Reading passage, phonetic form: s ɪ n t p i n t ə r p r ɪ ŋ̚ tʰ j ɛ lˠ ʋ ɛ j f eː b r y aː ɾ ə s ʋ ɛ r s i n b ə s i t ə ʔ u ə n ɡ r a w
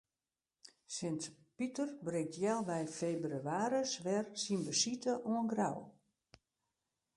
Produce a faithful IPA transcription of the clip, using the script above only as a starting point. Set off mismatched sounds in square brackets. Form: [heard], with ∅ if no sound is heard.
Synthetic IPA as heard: s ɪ n t p i [∅] t ə r [b] r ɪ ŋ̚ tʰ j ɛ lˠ ʋ ɛ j f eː b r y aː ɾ ə s ʋ ɛ r s i n b ə s i t ə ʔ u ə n ɡ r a w

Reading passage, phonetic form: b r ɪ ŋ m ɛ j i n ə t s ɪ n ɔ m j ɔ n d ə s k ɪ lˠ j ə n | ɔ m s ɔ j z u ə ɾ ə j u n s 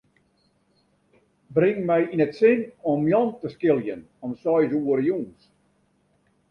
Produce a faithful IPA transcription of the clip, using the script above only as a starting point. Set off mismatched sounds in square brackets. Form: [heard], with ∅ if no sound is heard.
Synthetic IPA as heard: b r ɪ ŋ m ɛ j i n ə t s ɪ n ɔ m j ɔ n [t] ə s k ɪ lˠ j ə n | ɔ m s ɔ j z u ə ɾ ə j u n s

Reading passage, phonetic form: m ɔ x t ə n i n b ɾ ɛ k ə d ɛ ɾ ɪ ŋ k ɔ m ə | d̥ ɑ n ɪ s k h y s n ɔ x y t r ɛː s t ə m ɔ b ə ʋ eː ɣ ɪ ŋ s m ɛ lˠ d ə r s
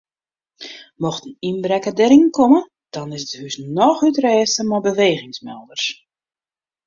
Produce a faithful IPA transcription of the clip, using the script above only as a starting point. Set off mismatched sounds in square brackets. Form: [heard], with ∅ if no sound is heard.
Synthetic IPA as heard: m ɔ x t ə n i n b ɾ ɛ k ə d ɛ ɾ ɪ ŋ k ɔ m ə | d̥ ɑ n ɪ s [t] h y s n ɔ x y t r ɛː s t ə m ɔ b ə ʋ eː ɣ ɪ ŋ s m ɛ lˠ d ə r s

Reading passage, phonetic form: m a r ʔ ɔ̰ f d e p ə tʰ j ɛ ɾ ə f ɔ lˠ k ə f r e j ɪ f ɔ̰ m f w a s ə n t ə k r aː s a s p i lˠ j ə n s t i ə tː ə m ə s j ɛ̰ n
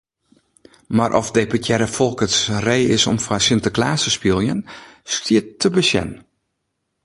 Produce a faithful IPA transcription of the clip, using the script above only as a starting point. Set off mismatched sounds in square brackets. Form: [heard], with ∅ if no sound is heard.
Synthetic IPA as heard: m a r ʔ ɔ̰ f d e p ə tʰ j ɛ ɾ ə f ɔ lˠ k ə [s] r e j ɪ [s] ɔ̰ m f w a s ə n t ə k [l] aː s [ə] s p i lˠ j ə n s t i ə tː ə [b] ə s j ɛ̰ n

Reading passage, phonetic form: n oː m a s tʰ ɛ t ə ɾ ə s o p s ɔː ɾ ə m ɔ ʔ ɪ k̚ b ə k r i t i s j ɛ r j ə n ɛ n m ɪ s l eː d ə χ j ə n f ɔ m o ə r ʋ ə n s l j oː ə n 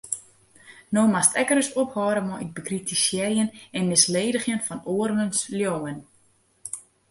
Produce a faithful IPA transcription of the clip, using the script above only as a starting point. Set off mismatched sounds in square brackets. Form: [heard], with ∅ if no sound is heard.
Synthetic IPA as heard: n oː m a s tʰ ɛ [k] ə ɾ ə s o p [h] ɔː ɾ ə m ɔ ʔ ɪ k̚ b ə k r i t i s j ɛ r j ə n ɛ n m ɪ s l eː d ə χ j ə n f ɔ [n] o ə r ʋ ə n s l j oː ə n

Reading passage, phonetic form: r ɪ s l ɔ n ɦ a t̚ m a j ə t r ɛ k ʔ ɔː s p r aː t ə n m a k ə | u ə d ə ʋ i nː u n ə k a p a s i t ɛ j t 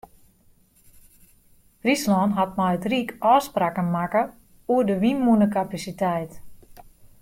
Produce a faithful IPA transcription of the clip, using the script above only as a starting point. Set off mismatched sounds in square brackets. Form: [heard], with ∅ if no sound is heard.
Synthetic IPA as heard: r [i] s l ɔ n ɦ a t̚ m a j ə t r [i] k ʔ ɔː s p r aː [k] ə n m a k ə | u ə d ə ʋ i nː u n ə k a p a s i t ɛ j t

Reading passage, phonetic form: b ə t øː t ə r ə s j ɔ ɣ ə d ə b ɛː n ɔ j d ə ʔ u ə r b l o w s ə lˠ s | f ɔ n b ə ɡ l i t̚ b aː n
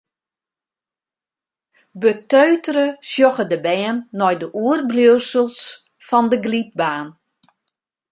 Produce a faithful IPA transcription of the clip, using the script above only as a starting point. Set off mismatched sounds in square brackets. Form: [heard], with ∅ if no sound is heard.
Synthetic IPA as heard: b ə t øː t ə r ə s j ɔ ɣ ə d ə b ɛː [nː] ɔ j d ə ʔ u ə r b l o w s ə lˠ s | f ɔ n [d] ə ɡ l i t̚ b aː n

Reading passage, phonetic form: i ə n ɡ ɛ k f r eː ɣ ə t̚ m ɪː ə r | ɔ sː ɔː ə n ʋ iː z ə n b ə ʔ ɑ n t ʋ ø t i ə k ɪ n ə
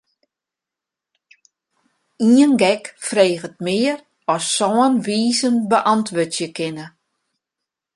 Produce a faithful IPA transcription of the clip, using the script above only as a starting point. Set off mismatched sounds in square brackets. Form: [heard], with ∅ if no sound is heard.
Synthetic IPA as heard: i ə n ɡ ɛ k f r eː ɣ ə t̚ m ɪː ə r | ɔ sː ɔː ə n ʋ iː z ə n b ə ʔ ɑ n t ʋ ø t [j] ə k ɪ n ə

